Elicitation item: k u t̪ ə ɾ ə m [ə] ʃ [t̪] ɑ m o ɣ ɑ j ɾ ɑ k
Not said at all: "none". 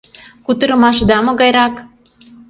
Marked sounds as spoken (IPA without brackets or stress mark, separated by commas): ɑ, d̪